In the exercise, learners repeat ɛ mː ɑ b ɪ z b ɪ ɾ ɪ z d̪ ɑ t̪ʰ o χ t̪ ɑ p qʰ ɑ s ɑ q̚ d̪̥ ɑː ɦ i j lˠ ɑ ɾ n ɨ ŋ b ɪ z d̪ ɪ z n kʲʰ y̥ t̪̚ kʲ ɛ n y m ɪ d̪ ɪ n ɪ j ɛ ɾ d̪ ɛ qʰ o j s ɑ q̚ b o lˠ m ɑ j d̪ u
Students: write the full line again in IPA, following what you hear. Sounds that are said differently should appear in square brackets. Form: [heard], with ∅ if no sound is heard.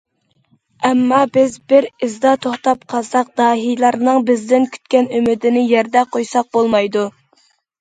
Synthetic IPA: ɛ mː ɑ b ɪ z b ɪ ɾ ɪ z d̪ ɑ t̪ʰ o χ t̪ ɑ p qʰ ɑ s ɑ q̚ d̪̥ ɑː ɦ i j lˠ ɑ ɾ n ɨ ŋ b ɪ z d̪ ɪ [∅] n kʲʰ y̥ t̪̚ kʲ ɛ n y m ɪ d̪ ɪ n ɪ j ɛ ɾ d̪ ɛ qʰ o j s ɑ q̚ b o lˠ m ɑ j d̪ u